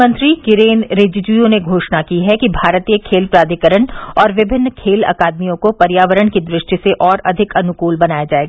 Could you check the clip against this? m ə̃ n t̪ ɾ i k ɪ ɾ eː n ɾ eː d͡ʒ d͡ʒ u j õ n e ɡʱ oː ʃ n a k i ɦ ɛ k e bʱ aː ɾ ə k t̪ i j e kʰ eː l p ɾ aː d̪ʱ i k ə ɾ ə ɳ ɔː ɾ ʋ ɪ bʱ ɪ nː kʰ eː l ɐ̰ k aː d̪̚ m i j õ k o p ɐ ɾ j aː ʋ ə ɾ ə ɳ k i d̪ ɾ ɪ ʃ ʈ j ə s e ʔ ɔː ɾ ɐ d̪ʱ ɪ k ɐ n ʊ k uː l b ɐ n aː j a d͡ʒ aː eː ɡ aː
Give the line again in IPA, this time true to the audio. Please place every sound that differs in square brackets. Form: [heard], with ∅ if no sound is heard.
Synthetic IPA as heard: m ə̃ n t̪ ɾ i k ɪ ɾ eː n ɾ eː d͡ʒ d͡ʒ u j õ n e ɡʱ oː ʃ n a k i ɦ ɛ k [i] bʱ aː ɾ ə [∅] t̪ i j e kʰ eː l p ɾ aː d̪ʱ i k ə ɾ ə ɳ ɔː ɾ ʋ ɪ bʱ ɪ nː kʰ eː l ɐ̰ k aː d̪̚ m i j õ k o p ɐ ɾ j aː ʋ ə ɾ ə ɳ k i d̪ ɾ ɪ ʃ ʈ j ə s e ʔ ɔː ɾ ɐ d̪ʱ ɪ k ɐ n ʊ k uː l b ɐ n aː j a d͡ʒ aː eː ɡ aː

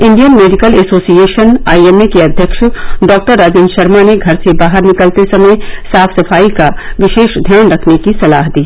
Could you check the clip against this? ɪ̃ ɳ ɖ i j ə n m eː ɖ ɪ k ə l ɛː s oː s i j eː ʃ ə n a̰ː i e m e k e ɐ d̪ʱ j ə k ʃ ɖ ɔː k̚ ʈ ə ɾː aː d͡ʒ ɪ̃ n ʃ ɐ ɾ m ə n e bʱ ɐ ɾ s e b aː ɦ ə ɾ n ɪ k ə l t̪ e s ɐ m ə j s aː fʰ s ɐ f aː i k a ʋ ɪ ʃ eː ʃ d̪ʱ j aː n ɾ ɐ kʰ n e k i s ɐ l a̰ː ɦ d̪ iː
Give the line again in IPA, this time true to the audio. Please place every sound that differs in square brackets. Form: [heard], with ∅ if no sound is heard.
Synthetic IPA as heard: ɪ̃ ɳ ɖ i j ə n m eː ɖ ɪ k ə l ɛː s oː s i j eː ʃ ə n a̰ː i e m e k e ɐ d̪ʱ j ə k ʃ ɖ ɔː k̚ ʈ ə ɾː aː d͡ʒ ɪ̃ n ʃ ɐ ɾ m [a] n e [ɡʱ] ɐ ɾ s e b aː ɦ ə ɾ n ɪ k ə l t̪ e s ɐ m ə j s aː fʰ s ɐ f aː i k a ʋ ɪ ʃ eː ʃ d̪ʱ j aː n ɾ ɐ kʰ n e k i s ɐ l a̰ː ɦ d̪ iː

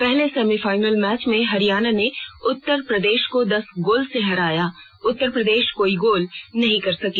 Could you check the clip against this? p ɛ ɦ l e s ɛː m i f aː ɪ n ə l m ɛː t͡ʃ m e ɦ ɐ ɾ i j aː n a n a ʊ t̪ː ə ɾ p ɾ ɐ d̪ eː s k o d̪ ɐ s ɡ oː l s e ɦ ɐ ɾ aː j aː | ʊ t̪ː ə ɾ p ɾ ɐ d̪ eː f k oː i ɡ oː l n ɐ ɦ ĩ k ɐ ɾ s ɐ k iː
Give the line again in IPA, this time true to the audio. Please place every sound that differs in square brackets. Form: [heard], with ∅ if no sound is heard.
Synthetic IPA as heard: p ɛ ɦ l e s ɛː m i f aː ɪ n ə l m ɛː t͡ʃ m [ẽ] ɦ ɐ ɾ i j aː n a n [e] ʊ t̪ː ə ɾ p ɾ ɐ d̪ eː [ʃ] k o d̪ ɐ s ɡ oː l s e ɦ ɐ ɾ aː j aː | ʊ t̪ː ə ɾ p ɾ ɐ d̪ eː [ʃ] k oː i ɡ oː l n ɐ ɦ ĩ k ɐ ɾ s ɐ k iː

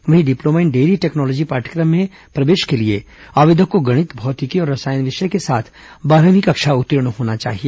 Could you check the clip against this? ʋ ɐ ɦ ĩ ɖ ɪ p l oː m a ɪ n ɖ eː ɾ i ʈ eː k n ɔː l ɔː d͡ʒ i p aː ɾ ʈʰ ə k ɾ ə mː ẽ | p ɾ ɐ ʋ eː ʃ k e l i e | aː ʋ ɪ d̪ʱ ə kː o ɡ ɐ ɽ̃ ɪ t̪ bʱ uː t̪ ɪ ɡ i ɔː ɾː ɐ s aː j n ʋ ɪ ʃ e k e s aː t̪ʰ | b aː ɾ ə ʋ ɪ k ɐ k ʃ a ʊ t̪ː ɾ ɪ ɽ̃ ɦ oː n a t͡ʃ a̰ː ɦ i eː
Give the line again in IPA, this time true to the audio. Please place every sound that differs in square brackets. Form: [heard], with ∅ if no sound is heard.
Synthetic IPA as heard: ʋ ɐ ɦ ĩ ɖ ɪ p l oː m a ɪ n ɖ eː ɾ i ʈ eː k n ɔː l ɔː d͡ʒ i p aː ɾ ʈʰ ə k ɾ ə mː ẽ | p ɾ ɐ ʋ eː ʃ k e l i e | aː ʋ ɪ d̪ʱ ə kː o ɡ ɐ ɽ̃ ɪ t̪ bʱ [ɔː] t̪ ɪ [k] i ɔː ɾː ɐ s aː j n ʋ ɪ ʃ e k e s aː t̪ʰ | b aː ɾ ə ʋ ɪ k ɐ k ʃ a ʊ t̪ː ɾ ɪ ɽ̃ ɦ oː n a t͡ʃ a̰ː ɦ i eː

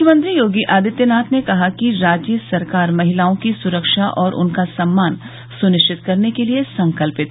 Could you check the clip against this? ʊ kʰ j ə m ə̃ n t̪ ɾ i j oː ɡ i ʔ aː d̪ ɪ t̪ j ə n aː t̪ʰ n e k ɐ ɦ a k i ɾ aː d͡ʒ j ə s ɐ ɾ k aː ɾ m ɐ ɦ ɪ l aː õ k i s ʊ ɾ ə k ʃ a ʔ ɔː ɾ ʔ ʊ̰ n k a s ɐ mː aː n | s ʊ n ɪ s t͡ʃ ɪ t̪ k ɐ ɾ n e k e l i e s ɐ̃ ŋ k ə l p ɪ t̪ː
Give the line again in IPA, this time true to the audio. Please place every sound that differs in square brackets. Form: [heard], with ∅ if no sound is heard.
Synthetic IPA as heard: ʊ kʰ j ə m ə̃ n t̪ ɾ i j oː ɡ i ʔ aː d̪ ɪ t̪ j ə n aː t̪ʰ n e k ɐ ɦ a k i ɾ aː d͡ʒ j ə s ɐ ɾ k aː ɾ m ɐ ɦ ɪ l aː õ k i s ʊ ɾ ə k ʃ a ʔ ɔː ɾ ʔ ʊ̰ n k a s ɐ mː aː n | s ʊ n ɪ [ʃ] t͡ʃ ɪ t̪ k ɐ ɾ n e k e l i e s ɐ̃ ŋ k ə l p ɪ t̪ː

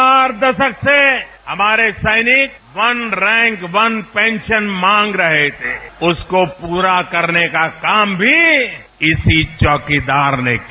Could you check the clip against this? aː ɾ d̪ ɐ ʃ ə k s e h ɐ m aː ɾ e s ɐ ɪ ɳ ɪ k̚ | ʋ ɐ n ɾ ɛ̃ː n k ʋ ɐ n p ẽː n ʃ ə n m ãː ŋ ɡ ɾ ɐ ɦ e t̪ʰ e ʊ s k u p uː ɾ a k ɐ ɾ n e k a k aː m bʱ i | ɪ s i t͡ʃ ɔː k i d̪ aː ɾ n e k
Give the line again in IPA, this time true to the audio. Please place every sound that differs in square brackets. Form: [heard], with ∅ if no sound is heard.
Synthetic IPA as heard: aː ɾ d̪ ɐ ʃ ə k s e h ɐ m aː ɾ e s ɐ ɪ [n] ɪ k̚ | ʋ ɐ n ɾ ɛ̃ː [ŋ] k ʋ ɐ n p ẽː n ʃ ə n m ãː ŋ ɡ ɾ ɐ ɦ e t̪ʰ e ʊ s k [o] p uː ɾ a k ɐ ɾ n e k a k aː m bʱ i | ɪ s i t͡ʃ ɔː k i d̪ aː ɾ n e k

